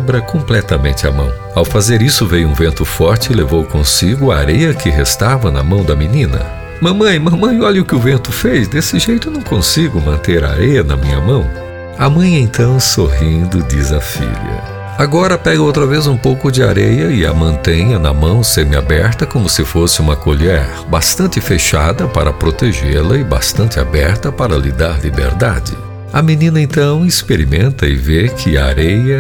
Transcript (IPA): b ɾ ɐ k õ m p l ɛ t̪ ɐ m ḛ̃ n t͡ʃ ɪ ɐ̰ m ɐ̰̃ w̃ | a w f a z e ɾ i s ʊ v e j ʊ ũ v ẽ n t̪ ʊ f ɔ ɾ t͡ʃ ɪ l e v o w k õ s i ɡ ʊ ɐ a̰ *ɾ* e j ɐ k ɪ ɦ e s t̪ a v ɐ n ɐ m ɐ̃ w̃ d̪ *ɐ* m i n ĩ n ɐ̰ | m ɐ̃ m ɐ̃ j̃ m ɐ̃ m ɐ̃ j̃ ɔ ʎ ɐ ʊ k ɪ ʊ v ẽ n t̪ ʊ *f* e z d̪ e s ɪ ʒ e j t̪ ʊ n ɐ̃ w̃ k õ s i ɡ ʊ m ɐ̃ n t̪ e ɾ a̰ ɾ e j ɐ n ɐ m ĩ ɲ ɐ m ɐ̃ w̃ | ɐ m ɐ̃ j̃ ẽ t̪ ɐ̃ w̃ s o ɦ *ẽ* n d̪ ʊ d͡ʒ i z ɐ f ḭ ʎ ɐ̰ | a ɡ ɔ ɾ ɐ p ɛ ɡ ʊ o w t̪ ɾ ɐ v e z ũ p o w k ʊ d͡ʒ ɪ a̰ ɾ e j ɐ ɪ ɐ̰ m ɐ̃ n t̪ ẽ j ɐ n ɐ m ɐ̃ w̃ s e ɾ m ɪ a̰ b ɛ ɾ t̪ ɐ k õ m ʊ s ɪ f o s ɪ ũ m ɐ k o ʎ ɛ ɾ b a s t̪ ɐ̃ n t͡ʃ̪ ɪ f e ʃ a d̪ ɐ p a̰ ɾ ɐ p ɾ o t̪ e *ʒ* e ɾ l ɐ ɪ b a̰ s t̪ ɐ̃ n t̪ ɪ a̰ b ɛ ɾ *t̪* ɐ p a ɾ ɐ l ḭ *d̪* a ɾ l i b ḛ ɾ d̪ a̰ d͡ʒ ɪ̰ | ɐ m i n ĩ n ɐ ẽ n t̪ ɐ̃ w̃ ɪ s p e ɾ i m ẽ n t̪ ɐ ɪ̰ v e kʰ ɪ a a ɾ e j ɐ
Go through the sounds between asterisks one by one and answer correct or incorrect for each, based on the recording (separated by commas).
correct, correct, correct, incorrect, correct, correct, correct